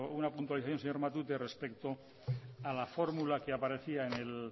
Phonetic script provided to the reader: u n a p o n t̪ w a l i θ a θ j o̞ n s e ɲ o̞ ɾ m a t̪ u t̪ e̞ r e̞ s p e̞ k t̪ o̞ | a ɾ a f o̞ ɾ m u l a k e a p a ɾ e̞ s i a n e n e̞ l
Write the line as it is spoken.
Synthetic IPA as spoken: u n a p u n t̪ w a l i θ a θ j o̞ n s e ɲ o̞ ɾ m a t̪ u t̪ e̞ r e̞ s p e̞ k t̪ o̞ | a l a f o̞ ɾ m u l a k e a p a ɾ e̞ θ i a e n e̞ l